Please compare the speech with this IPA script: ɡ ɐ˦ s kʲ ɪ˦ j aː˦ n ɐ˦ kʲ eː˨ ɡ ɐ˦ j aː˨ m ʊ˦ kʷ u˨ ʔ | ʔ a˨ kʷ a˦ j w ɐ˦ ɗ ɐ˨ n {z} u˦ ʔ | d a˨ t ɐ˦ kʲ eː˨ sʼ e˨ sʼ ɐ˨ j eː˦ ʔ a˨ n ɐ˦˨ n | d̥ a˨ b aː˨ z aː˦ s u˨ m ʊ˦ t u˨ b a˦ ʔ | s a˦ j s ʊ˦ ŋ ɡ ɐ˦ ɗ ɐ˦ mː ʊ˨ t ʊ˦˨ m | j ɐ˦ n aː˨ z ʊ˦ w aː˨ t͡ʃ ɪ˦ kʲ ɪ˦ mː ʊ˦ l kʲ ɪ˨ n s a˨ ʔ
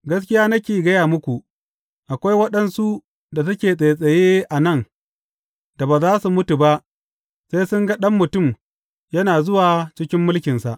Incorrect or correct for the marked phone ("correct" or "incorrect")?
incorrect